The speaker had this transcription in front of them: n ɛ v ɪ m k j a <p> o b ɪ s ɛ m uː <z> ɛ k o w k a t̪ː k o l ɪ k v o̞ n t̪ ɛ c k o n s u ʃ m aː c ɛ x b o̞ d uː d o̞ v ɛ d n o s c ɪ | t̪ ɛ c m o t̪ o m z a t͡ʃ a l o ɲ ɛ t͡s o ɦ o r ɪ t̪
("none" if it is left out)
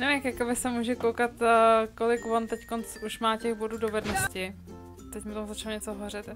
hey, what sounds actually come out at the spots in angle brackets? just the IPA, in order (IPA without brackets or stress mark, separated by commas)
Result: k, ʒ